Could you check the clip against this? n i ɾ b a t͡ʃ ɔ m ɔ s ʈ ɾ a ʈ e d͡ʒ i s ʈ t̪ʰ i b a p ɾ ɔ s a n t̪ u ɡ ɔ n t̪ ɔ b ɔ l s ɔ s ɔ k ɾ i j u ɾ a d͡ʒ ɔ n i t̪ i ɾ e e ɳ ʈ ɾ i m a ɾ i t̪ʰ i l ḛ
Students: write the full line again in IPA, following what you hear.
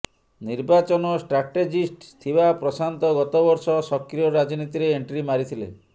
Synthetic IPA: n i ɾ b a t͡ʃ ɔ n ɔ s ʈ ɾ a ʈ e d͡ʒ i s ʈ t̪ʰ i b a p ɾ ɔ s a n t̪ ɔ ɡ ɔ t̪ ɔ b ɔ ɾ s ɔ s ɔ k ɾ i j ɔ ɾ a d͡ʒ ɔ n i t̪ i ɾ e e ɳ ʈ ɾ i m a ɾ i t̪ʰ i l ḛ